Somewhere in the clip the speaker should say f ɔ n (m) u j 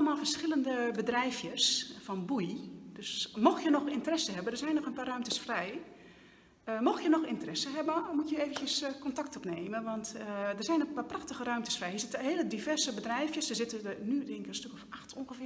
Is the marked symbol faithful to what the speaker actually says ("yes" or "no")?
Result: no